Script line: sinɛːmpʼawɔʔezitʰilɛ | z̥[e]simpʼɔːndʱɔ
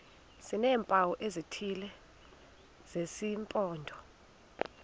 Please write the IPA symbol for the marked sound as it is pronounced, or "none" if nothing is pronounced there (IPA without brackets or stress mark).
e